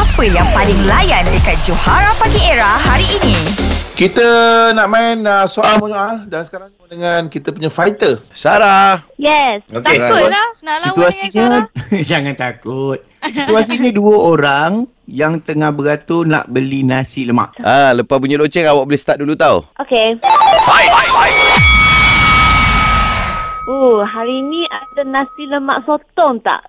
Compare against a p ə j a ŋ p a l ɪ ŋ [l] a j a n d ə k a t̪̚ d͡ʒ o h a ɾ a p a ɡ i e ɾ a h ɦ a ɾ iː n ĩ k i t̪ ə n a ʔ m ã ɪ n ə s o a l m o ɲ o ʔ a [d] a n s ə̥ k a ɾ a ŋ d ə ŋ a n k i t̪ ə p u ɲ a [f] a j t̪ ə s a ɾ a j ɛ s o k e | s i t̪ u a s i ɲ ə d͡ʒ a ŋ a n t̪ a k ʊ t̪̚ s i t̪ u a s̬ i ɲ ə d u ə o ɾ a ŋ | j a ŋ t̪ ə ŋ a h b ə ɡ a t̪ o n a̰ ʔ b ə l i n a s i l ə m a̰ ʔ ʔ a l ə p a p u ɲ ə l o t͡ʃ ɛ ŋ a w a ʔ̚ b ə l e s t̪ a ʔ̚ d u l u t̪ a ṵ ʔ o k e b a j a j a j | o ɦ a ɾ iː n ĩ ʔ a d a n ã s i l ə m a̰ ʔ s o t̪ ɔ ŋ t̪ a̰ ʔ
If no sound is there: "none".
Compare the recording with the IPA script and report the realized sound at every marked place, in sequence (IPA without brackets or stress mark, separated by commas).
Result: l, d, f